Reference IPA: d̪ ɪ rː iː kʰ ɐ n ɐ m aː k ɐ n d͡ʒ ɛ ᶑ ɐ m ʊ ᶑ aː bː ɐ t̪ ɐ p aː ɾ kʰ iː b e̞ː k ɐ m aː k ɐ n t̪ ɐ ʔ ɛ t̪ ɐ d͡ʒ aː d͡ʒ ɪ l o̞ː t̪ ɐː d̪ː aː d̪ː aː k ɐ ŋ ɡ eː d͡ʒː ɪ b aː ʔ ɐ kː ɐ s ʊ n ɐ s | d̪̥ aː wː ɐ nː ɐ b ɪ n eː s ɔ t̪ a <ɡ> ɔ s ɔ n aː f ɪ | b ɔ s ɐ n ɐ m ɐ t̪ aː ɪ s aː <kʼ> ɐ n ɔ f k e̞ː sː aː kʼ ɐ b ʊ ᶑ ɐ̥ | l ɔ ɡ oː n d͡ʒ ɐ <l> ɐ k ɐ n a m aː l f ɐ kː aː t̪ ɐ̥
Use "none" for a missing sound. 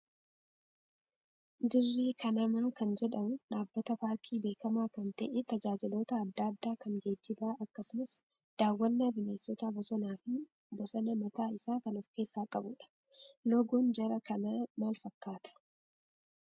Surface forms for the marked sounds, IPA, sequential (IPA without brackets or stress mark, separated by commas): b, k, ɾ